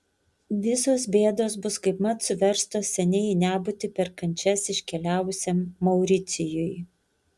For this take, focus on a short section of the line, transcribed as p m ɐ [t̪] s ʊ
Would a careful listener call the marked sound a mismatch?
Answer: no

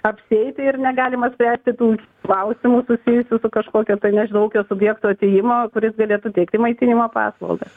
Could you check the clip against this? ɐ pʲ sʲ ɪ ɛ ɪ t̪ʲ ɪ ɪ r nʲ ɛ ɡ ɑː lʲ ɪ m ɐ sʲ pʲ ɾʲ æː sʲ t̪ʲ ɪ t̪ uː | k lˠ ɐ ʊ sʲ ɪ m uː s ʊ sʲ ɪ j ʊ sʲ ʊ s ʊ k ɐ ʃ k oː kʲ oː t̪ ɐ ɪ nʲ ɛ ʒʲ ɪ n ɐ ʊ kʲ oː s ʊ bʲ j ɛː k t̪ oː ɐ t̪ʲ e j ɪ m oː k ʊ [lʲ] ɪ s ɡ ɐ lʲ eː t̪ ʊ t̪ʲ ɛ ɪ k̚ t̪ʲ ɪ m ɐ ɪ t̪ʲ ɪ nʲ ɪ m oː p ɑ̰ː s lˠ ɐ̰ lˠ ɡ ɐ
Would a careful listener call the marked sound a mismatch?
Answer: yes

